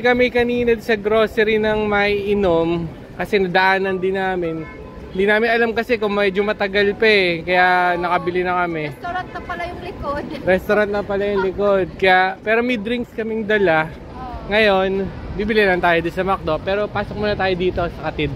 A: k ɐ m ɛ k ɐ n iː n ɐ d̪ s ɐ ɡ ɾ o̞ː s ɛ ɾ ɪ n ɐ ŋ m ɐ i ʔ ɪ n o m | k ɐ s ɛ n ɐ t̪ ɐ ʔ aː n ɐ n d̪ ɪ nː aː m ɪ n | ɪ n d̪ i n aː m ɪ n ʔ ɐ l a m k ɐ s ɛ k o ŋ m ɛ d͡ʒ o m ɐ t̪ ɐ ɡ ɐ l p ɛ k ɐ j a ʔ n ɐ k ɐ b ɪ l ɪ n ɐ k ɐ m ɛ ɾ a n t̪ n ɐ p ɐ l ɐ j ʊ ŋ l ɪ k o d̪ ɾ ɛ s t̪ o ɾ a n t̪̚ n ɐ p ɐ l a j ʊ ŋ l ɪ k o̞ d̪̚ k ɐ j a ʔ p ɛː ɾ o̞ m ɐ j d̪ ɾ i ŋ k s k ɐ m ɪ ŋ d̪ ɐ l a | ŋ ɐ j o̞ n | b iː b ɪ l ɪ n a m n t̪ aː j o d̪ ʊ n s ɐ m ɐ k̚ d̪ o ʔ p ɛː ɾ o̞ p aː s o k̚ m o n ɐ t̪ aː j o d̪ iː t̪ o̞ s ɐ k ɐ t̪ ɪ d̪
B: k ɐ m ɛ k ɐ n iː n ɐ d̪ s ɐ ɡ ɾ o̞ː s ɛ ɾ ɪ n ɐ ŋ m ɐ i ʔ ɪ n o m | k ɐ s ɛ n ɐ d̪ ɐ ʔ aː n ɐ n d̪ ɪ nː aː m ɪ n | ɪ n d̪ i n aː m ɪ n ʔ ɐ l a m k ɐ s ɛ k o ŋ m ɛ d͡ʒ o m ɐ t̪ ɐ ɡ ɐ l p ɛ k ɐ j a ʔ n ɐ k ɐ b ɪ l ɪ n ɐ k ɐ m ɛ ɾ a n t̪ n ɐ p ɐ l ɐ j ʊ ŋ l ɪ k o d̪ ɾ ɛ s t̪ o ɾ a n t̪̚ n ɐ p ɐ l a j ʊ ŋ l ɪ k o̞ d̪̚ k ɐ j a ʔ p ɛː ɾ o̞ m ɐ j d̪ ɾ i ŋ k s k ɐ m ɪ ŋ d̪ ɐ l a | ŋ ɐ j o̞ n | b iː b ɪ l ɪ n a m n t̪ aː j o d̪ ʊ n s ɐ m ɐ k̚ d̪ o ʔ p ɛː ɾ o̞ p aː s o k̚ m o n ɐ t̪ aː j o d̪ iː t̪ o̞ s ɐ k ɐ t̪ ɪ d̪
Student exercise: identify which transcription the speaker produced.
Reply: B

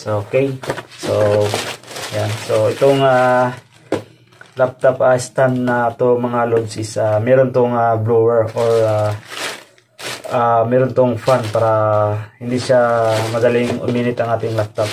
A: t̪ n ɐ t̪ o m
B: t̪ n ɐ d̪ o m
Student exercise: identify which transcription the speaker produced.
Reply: A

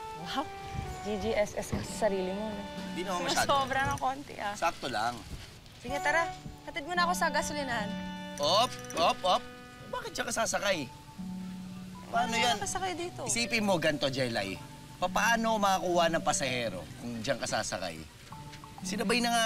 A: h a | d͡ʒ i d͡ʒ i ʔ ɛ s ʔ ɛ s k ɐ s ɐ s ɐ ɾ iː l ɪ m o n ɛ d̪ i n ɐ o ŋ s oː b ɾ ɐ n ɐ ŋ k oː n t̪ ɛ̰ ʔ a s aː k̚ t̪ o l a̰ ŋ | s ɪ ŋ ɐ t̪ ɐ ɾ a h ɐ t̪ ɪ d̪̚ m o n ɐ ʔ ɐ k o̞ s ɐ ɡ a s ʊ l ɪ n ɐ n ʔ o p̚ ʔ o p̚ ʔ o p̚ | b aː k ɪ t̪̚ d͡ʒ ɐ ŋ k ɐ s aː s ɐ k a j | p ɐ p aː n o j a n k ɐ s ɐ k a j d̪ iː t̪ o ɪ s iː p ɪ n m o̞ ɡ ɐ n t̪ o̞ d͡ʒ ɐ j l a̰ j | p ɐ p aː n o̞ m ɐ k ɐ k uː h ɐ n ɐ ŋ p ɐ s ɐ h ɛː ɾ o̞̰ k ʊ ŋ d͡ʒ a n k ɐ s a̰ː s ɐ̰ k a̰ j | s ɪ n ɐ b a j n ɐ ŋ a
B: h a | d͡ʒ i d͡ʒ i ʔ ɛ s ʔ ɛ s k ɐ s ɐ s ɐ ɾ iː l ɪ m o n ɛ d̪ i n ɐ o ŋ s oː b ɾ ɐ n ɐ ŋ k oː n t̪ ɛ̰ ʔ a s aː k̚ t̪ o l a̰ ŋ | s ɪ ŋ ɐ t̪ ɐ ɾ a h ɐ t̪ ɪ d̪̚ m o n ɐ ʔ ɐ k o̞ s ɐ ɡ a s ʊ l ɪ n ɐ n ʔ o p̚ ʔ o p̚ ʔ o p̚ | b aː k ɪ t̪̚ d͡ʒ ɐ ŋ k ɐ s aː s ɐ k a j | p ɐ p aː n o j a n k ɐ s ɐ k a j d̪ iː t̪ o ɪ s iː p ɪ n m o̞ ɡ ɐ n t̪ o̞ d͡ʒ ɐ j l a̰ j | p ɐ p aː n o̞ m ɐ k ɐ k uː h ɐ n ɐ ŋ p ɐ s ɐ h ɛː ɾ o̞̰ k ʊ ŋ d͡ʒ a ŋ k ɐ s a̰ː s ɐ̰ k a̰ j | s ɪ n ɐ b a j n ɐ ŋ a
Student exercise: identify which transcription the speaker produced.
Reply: B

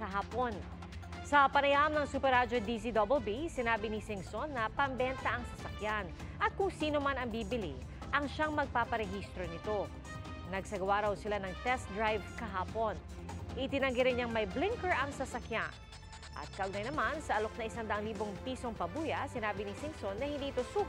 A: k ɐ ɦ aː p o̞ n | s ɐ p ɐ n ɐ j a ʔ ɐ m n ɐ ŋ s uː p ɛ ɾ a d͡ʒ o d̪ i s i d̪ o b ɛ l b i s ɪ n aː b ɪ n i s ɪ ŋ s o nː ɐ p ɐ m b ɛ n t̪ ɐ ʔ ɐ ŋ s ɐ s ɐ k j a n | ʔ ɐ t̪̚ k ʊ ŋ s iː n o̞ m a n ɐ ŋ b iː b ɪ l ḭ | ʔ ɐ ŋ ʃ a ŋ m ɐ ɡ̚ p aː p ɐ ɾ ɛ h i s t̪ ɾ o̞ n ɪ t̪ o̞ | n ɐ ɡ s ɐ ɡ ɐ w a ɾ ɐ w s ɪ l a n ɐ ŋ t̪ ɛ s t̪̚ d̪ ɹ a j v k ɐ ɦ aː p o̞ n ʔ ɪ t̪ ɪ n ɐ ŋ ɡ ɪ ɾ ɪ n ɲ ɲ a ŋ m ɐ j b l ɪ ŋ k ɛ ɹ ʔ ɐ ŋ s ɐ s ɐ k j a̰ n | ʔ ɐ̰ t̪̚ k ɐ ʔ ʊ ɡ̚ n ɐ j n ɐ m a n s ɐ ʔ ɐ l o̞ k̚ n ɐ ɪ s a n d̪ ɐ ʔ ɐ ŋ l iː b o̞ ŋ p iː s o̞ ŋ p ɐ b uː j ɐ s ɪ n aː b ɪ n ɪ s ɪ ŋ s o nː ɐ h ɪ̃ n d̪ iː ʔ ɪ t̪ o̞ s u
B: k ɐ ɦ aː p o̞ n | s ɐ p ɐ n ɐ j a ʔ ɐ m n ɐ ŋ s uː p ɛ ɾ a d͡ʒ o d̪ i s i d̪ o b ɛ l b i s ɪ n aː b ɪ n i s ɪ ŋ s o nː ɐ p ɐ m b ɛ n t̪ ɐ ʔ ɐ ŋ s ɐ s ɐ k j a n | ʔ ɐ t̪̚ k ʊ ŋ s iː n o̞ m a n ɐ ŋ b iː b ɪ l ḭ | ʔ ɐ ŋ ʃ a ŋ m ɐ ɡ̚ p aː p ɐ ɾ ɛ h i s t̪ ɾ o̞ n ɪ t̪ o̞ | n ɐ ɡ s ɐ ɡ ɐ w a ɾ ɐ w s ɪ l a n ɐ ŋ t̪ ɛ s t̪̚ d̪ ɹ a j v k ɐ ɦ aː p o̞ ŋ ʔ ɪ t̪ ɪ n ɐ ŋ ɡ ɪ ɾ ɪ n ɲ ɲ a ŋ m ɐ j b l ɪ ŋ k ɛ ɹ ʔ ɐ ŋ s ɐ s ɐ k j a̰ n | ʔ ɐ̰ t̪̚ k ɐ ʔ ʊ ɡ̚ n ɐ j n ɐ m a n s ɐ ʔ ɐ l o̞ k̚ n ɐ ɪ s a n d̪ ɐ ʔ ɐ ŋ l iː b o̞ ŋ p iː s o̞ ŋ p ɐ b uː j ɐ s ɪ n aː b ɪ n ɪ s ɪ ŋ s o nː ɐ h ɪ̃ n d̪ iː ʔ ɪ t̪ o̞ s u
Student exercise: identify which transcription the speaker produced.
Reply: A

